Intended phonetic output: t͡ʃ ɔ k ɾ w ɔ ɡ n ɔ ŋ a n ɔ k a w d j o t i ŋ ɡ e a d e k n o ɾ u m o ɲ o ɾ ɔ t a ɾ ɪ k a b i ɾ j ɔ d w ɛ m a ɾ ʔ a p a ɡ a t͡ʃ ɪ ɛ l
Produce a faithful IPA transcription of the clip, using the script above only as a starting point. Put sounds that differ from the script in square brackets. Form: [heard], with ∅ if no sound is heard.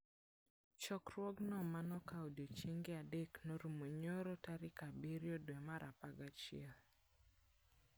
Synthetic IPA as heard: t͡ʃ ɔ k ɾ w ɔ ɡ n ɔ [m] a n ɔ k a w d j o [t͡ʃ] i ŋ ɡ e a d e k n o ɾ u m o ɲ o ɾ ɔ t a ɾ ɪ k a b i ɾ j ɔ d w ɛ m a ɾ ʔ a p a ɡ a t͡ʃ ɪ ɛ l

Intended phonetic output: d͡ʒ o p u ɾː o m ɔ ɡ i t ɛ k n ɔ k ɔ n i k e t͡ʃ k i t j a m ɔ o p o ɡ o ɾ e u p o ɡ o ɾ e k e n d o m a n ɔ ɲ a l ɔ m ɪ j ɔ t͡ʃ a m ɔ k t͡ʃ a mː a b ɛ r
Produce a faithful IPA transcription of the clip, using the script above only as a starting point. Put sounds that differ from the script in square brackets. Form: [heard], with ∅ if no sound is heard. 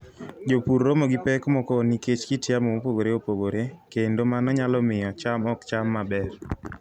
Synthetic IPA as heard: d͡ʒ o p u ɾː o m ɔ ɡ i [p] ɛ k [m] ɔ k ɔ n i k e t͡ʃ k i t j a m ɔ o p o ɡ o ɾ e [o] p o ɡ o ɾ e k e n d o m a n ɔ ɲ a l ɔ m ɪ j ɔ t͡ʃ a m ɔ k t͡ʃ a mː a b ɛ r

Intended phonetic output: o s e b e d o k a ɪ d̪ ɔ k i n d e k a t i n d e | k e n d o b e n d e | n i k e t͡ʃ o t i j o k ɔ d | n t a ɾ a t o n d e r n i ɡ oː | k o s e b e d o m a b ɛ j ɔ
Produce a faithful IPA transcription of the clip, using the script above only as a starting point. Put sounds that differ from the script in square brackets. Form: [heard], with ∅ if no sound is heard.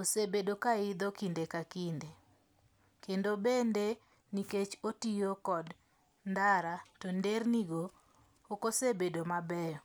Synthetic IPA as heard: o s e b e d o k a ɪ d̪ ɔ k i n d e k a [k] i n d e | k e n d o b e n d e | n i k e t͡ʃ o t i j o k ɔ d | n [d] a ɾ a t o n d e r n i ɡ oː | k o s e b e d o m a b ɛ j ɔ

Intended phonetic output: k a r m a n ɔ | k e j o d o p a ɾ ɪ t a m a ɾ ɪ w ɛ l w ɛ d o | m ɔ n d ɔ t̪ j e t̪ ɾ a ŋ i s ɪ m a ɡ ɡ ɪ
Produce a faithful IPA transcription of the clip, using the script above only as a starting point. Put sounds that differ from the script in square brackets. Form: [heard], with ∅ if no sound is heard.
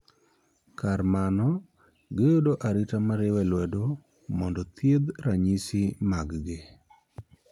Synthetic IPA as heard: k a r m a n ɔ | [ɡ] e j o d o [ʔ] a ɾ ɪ t a m a ɾ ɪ w ɛ l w ɛ d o | m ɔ n d ɔ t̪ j e [d̪] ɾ a [ɲ] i s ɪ m a ɡ ɡ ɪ

